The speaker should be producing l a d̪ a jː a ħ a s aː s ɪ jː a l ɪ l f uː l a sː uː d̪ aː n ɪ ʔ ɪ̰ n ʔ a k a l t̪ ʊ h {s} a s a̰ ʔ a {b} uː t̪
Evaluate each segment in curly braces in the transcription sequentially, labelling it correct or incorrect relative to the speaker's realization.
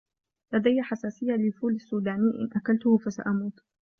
incorrect, incorrect

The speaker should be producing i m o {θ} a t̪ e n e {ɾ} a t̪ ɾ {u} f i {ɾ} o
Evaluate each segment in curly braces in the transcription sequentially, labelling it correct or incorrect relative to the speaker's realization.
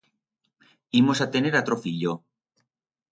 incorrect, correct, incorrect, incorrect

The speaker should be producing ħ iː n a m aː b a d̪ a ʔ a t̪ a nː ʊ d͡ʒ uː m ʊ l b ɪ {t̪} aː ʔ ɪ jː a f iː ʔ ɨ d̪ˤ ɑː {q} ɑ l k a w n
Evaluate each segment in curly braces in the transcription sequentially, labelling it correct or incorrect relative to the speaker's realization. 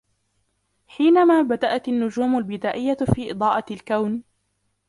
incorrect, incorrect

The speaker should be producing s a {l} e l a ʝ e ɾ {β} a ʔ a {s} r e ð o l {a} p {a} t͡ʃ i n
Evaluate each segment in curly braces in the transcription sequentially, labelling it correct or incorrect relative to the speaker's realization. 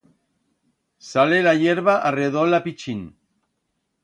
correct, correct, incorrect, correct, incorrect

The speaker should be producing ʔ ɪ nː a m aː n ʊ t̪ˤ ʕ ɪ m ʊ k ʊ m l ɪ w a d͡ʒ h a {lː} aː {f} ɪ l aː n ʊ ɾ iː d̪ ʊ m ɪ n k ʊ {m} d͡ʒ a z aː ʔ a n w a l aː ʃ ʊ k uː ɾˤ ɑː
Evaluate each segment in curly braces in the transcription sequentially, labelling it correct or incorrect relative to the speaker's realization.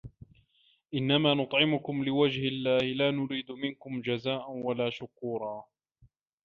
correct, incorrect, correct

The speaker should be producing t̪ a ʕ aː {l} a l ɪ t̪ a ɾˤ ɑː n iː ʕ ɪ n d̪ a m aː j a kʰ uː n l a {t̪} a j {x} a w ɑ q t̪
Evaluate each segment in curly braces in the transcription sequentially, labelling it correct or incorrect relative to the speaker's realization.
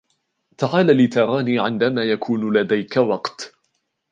correct, incorrect, incorrect

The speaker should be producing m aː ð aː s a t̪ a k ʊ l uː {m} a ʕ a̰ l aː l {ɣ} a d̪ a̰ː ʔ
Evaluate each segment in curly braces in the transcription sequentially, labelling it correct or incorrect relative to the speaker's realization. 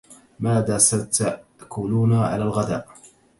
incorrect, correct

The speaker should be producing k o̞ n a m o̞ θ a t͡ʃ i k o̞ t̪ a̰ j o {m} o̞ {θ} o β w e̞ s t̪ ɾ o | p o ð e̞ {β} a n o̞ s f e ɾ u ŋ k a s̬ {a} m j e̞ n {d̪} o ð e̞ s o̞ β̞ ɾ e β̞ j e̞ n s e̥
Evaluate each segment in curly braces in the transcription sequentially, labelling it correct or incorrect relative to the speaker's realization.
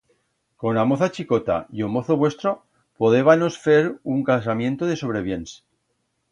correct, correct, correct, correct, incorrect

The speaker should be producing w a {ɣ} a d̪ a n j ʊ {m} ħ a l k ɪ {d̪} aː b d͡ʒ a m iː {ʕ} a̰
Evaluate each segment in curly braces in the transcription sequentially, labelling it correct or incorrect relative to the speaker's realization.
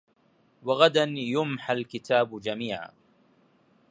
correct, correct, incorrect, correct

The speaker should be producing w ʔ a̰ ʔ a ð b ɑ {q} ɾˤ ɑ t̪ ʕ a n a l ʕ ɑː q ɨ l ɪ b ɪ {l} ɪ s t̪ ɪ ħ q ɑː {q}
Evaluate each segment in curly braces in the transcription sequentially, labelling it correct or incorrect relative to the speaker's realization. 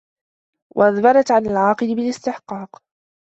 incorrect, correct, correct

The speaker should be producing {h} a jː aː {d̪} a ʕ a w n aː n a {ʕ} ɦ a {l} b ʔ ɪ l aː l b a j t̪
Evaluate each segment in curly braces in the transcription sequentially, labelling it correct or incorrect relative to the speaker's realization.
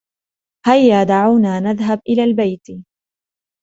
correct, correct, incorrect, incorrect

